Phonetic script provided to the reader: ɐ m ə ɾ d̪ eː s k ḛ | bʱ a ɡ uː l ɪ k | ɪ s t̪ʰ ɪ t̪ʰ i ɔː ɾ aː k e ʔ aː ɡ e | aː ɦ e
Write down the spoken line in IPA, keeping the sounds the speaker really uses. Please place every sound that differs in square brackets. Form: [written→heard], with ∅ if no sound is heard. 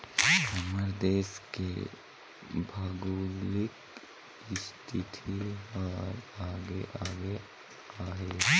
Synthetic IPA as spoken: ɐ m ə ɾ d̪ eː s k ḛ | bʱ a ɡ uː l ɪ k | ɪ s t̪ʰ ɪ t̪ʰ i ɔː ɾ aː [k→ɡ] e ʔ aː ɡ e | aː ɦ e